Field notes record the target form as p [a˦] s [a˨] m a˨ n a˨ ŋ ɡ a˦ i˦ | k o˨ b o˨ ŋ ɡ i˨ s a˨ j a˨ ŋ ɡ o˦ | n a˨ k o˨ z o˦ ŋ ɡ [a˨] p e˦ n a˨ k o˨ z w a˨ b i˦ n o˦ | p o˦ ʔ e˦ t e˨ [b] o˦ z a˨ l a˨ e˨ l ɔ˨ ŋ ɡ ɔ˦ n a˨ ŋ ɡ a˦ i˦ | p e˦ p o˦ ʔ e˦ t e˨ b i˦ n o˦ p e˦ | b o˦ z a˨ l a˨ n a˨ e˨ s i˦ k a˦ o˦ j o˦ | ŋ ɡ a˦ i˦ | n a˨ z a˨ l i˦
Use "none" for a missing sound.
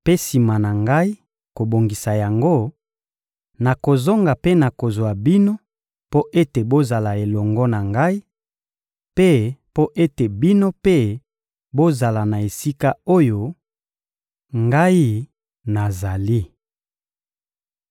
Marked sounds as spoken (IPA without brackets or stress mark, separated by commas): e˦, i˨, a˨, b